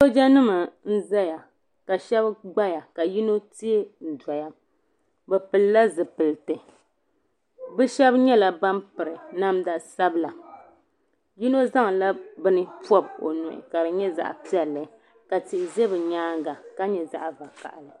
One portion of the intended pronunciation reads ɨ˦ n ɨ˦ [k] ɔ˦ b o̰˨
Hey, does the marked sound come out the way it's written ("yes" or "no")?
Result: no